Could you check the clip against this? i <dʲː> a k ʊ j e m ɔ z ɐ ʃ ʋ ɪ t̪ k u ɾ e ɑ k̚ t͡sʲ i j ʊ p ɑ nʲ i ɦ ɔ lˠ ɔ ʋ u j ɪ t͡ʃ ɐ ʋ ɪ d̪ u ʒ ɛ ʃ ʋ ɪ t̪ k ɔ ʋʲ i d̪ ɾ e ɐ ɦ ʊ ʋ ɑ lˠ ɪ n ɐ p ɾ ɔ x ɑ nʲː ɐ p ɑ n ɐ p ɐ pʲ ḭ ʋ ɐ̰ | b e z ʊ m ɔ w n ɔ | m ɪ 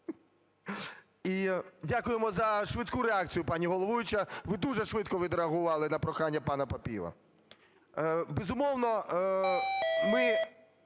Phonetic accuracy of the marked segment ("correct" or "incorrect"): incorrect